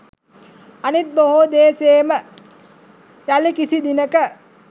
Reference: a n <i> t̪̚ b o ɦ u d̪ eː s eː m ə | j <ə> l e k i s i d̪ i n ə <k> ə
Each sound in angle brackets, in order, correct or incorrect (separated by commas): correct, incorrect, correct